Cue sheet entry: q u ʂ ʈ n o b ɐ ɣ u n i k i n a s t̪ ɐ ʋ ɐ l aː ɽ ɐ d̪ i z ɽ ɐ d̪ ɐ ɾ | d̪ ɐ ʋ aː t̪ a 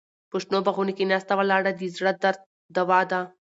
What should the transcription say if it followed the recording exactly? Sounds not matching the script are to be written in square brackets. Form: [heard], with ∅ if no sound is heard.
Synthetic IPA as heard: [p] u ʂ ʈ n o b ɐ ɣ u n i k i n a s t̪ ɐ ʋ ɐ l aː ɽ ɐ d̪ i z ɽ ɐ d̪ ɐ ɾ | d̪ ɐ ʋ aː [d̪] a

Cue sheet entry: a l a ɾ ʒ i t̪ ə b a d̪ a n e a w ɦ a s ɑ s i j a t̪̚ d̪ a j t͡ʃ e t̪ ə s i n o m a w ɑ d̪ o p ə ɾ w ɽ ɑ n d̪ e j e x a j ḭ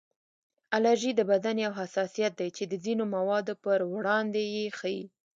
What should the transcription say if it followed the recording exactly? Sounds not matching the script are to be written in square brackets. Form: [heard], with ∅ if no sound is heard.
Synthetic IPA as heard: a l a ɾ ʒ i [d̪] ə b a d̪ a n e a w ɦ a s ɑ s i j a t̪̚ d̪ a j t͡ʃ e [d̪] ə [z] i n o m a w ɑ d̪ o p ə ɾ w ɽ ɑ n d̪ e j e x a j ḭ

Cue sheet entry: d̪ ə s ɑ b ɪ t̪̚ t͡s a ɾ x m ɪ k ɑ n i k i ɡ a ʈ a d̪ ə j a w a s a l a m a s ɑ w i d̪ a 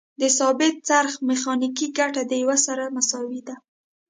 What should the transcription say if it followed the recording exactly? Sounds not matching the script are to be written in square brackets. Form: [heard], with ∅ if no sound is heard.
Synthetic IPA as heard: d̪ ə s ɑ b ɪ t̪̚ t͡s a ɾ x m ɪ [x] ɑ n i k i ɡ a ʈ a d̪ ə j a w a s a [ɾ] a m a s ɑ w i d̪ a

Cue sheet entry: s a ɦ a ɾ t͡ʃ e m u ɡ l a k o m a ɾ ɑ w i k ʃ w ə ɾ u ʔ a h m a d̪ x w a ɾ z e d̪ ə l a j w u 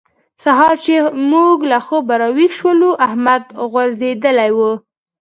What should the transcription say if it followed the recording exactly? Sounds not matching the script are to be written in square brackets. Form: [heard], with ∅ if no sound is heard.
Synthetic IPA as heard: s a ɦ [ɑ] ɾ t͡ʃ e m u ɡ l a [x] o [b] a ɾ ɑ w i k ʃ w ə [l] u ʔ a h m a d̪ [ɣ] w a ɾ z e d̪ ə l a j w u

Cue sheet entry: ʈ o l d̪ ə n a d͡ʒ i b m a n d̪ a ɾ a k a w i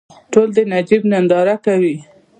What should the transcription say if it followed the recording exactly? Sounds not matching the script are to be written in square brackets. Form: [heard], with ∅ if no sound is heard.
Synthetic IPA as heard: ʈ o l d̪ ə n a d͡ʒ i b [n] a n d̪ [ɑ] ɾ a k a w i

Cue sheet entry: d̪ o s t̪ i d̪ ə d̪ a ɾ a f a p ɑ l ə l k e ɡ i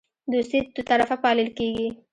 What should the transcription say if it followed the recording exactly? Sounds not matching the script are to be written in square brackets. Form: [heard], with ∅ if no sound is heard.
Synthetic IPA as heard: d̪ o s t̪ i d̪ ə [t̪] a ɾ a f a p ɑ l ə l k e ɡ i

